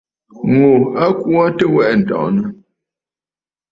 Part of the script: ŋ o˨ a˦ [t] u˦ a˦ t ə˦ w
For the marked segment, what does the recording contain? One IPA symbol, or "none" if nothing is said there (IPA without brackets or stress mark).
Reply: k